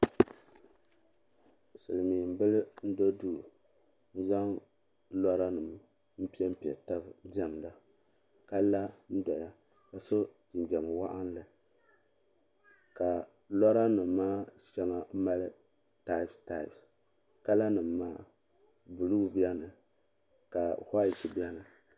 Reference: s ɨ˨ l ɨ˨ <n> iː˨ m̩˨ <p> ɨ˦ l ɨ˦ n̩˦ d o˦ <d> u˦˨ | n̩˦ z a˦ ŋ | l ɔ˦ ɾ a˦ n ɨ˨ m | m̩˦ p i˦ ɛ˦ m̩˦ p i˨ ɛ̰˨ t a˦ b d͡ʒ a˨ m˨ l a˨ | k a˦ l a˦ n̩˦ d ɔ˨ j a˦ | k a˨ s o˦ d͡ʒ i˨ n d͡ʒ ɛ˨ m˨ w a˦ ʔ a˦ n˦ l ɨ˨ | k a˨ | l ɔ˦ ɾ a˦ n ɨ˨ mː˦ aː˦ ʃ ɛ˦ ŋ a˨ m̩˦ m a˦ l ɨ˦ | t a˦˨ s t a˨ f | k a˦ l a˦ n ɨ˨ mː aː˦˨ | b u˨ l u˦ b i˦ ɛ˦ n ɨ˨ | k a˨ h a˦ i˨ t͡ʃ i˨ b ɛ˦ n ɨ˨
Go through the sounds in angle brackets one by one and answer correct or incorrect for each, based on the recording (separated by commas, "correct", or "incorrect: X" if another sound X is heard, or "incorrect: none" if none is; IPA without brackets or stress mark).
incorrect: m, incorrect: b, correct